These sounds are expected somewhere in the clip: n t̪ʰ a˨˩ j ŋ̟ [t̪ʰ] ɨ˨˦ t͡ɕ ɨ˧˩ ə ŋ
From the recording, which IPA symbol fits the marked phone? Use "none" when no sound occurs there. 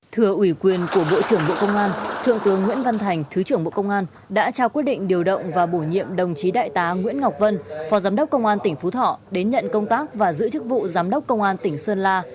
t̪ʰ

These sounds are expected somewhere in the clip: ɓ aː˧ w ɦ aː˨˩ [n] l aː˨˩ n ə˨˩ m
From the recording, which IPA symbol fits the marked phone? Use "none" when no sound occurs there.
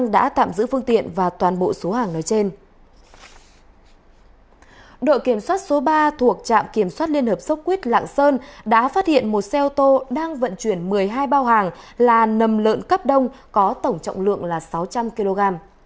ŋ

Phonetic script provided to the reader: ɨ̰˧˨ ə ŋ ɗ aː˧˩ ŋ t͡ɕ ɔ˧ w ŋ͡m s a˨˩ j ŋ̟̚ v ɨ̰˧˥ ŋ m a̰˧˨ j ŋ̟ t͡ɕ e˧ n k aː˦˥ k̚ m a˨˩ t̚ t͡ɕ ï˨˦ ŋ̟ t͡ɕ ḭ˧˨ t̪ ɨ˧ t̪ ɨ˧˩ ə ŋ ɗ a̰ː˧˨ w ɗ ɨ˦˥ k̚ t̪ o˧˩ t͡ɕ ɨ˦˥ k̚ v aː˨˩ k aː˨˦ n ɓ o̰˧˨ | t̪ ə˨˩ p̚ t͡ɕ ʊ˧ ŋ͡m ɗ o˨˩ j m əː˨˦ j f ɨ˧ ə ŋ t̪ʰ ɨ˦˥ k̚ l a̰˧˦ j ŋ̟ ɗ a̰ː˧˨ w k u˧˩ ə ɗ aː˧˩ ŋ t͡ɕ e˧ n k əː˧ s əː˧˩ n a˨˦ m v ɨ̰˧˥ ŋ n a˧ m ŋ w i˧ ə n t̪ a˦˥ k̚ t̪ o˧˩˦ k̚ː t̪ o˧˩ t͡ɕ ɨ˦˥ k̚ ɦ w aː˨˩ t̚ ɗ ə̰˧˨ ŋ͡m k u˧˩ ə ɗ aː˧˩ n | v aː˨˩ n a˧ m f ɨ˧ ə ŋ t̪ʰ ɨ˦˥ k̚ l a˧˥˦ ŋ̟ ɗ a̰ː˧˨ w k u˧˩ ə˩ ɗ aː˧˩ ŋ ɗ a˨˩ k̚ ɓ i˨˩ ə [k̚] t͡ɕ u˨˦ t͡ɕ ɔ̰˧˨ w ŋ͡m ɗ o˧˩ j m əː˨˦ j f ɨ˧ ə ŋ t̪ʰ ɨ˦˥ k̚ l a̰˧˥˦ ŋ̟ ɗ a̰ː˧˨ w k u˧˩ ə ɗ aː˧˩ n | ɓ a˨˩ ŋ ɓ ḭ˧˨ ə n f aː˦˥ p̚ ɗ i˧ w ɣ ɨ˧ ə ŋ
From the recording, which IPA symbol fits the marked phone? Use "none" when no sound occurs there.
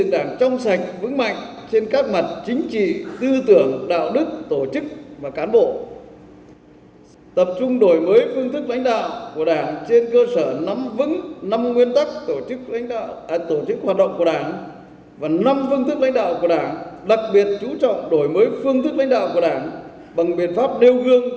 t̚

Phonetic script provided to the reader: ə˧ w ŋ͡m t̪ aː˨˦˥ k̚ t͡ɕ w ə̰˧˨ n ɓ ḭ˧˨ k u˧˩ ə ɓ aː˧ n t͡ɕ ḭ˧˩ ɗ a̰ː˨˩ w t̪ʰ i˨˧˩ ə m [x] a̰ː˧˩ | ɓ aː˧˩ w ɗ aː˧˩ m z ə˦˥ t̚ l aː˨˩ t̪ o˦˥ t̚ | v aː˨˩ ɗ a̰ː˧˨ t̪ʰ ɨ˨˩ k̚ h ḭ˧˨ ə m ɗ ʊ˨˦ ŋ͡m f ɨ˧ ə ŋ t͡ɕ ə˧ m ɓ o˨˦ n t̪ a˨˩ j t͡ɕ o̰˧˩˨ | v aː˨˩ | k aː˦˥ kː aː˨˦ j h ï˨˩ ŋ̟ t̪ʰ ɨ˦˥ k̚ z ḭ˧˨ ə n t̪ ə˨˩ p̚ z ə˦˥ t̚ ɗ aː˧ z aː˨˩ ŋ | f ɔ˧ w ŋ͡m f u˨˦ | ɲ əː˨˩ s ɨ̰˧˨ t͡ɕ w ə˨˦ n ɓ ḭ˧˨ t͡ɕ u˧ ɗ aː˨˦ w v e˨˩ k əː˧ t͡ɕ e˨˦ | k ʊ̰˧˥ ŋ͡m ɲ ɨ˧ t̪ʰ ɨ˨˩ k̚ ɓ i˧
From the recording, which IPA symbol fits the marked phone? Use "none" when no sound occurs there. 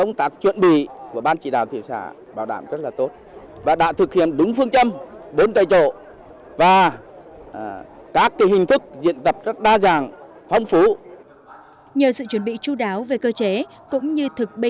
s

